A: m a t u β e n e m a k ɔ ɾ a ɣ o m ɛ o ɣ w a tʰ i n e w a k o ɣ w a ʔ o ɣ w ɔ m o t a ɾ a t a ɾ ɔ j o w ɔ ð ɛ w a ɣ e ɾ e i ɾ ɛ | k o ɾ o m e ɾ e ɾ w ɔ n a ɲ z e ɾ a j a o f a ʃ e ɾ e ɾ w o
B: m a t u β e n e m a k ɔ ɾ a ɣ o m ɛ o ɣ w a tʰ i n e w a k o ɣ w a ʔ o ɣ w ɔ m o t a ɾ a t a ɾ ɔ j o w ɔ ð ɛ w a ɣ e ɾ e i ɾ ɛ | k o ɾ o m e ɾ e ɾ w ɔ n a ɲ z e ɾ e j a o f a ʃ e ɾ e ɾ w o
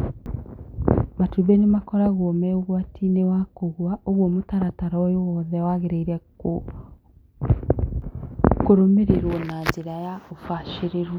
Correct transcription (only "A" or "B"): A